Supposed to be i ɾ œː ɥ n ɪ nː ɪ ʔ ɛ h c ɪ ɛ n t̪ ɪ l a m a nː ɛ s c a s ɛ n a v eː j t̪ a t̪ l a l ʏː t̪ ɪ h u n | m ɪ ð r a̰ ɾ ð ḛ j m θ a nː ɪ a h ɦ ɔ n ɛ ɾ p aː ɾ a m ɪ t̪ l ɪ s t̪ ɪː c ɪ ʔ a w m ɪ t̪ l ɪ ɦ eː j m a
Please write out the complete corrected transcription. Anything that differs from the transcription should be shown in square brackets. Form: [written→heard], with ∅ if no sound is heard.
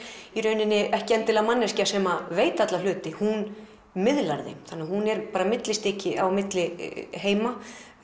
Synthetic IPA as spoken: i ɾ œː ɥ n ɪ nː ɪ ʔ ɛ h c ɪ ɛ n t̪ ɪ l a m a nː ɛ s c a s ɛ [n→m] a v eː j t̪ a t̪ l a l ʏː t̪ ɪ h u n | m ɪ ð [r→l] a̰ ɾ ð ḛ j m θ a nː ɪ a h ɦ [ɔ→u] n ɛ ɾ p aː ɾ a m ɪ t̪ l ɪ s t̪ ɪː c ɪ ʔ a w m ɪ t̪ l ɪ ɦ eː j m a

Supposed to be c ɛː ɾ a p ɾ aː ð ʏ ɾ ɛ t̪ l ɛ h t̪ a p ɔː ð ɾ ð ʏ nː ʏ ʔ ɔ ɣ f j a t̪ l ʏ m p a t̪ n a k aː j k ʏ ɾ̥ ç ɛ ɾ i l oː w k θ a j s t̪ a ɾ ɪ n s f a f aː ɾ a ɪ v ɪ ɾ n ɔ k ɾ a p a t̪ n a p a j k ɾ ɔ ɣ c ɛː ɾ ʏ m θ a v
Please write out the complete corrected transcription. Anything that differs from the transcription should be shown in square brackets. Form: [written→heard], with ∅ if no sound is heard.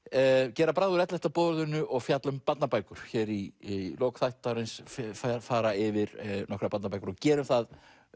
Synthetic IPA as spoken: c ɛː ɾ a p ɾ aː ð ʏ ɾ ɛ t̪ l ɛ h t̪ a p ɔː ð ɾ ð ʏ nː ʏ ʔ ɔ ɣ f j a t̪ l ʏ m p a t̪ n a [k→p] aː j k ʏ ɾ̥ ç ɛ ɾ i l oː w k θ a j [s→h] t̪ a ɾ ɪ n s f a f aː ɾ a ɪ v ɪ ɾ n ɔ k ɾ a p a t̪ n a p a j k ɾ ɔ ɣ c ɛː ɾ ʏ m θ a [v→ð]

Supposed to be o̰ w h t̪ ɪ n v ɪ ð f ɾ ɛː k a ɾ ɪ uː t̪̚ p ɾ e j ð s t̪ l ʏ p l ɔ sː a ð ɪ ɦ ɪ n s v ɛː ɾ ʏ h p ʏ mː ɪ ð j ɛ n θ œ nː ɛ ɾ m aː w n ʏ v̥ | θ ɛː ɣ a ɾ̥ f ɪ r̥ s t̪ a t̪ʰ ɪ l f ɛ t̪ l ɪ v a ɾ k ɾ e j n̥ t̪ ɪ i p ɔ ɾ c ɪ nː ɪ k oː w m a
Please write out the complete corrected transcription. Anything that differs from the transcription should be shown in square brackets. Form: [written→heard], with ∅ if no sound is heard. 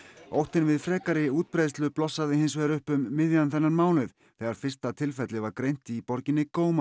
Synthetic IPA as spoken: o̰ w h t̪ ɪ n v ɪ ð f ɾ ɛː k a ɾ ɪ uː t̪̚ p ɾ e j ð s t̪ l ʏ p l ɔ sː a ð ɪ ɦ ɪ n s v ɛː ɾ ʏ h p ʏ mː ɪ ð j [ɛ→a] n θ [œ→ɛ] nː [ɛ→a] ɾ m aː w n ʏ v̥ | θ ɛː ɣ a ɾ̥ f ɪ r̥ s t̪ a t̪ʰ ɪ l f ɛ t̪ l ɪ v a ɾ k ɾ e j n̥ t̪ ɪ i p ɔ ɾ c ɪ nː ɪ k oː w m a

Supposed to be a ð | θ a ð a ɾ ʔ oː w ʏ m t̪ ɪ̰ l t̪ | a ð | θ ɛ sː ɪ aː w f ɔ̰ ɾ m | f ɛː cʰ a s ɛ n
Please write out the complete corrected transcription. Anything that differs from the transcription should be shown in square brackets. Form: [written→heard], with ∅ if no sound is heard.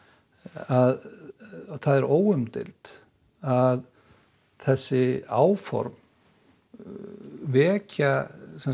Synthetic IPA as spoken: a ð | θ a ð [a→ɛ] ɾ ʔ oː w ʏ m t̪ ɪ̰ l t̪ | a ð | θ ɛ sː ɪ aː w f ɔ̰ ɾ m | [f→v] ɛː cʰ a s ɛ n

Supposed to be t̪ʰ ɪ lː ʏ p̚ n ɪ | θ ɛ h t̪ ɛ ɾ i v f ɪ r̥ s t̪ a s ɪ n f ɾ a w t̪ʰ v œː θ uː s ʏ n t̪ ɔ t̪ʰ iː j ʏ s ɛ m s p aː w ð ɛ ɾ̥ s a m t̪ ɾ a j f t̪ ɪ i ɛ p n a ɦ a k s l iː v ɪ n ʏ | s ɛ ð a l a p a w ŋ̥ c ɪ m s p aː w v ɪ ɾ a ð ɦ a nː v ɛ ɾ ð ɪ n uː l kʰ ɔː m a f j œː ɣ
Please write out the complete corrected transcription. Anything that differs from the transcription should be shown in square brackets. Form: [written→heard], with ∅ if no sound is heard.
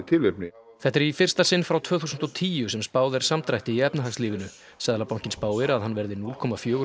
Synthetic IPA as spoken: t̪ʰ ɪ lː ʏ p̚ n ɪ | θ ɛ h t̪ ɛ ɾ i [v→∅] f ɪ r̥ s t̪ a s ɪ n f ɾ a w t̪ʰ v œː θ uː s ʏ n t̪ ɔ t̪ʰ iː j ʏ s ɛ m s p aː w ð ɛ ɾ̥ s a m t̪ ɾ a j [f→h] t̪ ɪ i ɛ p n a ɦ a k s l iː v ɪ n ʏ | s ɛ ð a l a p a w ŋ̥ c ɪ [m→n] s p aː w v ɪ ɾ a ð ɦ a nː v ɛ ɾ ð ɪ n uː l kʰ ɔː m a f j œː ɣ

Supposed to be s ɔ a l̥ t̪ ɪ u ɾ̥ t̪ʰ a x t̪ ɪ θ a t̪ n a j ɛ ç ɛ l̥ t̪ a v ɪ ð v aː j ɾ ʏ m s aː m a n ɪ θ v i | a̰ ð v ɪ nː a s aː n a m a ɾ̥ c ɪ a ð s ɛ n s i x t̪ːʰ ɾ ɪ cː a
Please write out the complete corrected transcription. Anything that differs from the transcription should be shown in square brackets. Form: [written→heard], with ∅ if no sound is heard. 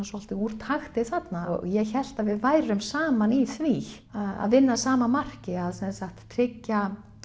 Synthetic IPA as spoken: s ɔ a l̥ t̪ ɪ u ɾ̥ t̪ʰ a x t̪ ɪ θ a t̪ n a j ɛ ç ɛ l̥ t̪ a v ɪ ð v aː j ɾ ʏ m s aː m a n [ɪ→i] θ v i | a̰ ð v ɪ nː a s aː [n→m] a m a [ɾ̥→r̥] c ɪ a ð s ɛ n s [i→a] x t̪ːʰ ɾ ɪ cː a

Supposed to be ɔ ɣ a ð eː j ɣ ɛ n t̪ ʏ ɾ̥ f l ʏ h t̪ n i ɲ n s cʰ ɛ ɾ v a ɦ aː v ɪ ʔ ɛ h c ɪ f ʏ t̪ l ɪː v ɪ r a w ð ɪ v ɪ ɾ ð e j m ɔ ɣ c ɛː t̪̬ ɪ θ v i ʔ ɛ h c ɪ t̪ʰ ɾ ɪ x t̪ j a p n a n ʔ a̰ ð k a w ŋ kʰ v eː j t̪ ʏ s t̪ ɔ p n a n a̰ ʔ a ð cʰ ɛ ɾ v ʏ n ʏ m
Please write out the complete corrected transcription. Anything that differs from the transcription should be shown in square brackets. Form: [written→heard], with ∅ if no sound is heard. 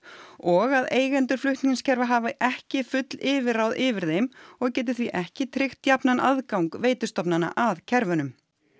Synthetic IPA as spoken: ɔ ɣ a ð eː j ɣ ɛ n t̪ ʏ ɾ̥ f l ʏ h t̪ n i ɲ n s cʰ ɛ ɾ v a ɦ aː v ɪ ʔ ɛ h c ɪ f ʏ t̪ l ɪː v ɪ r a w ð ɪ v ɪ ɾ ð e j m ɔ ɣ c ɛː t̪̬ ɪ θ v i ʔ ɛ h c ɪ t̪ʰ ɾ ɪ x t̪ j a p n a n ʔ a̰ ð k a w ŋ [kʰ→k] v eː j t̪ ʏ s t̪ ɔ p n a n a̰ ʔ a ð cʰ ɛ ɾ v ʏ n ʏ m

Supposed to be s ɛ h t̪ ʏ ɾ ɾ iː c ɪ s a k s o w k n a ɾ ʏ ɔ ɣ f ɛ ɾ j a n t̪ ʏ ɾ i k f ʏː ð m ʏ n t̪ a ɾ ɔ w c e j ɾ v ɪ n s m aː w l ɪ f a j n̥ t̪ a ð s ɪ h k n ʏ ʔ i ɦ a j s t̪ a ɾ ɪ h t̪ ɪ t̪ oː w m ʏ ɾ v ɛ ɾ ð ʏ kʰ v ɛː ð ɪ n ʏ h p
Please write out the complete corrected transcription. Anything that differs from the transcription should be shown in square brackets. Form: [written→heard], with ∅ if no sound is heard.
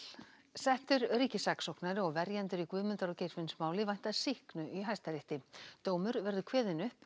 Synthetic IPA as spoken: s ɛ h t̪ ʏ ɾ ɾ iː c ɪ s a k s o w k n a ɾ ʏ ɔ ɣ [f→v] ɛ ɾ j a n t̪ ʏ ɾ i k [f→v] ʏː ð m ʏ n t̪ a ɾ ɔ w c e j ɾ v ɪ n s m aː w l ɪ [f→v] a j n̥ t̪ a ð s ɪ h k n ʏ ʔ i ɦ a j s t̪ a ɾ ɪ h t̪ ɪ t̪ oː w m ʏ ɾ v ɛ ɾ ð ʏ kʰ v ɛː ð ɪ n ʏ h p

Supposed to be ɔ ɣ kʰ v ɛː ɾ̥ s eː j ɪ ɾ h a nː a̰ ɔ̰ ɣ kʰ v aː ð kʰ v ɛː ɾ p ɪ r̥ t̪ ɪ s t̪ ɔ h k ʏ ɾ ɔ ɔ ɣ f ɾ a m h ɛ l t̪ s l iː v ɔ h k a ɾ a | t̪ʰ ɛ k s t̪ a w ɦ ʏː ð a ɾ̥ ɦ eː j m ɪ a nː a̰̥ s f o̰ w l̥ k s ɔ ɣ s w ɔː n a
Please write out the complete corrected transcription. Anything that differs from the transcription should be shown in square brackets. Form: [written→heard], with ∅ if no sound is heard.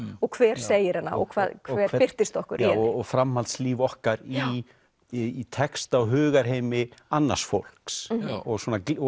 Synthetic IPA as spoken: ɔ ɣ kʰ v ɛː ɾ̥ s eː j ɪ ɾ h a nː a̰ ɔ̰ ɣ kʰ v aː ð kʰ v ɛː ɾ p ɪ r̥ t̪ ɪ s t̪ ɔ h k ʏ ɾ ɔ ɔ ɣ f ɾ a m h [ɛ→a] l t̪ s l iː v ɔ h k a ɾ [a→i] | t̪ʰ ɛ k s t̪ a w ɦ ʏː [ð→ɣ] a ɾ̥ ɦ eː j m ɪ a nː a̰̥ s f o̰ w l̥ k s ɔ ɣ s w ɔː n a

